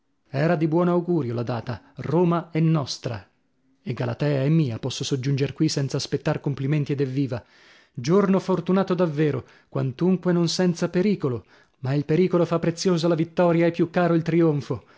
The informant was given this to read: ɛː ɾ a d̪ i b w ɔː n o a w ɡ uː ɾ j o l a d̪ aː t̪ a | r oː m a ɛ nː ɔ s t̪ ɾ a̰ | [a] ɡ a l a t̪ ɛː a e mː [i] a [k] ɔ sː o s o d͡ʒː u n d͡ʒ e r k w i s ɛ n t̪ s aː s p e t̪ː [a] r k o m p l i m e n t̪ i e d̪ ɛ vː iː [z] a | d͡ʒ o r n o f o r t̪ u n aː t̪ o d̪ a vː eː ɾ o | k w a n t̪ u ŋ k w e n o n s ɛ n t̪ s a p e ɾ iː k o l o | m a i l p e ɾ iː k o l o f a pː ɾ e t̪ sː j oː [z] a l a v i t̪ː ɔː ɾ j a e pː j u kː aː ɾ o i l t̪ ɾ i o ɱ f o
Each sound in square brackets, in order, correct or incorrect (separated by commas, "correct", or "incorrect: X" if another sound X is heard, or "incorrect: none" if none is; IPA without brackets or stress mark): incorrect: e, incorrect: iː, incorrect: p, correct, incorrect: v, correct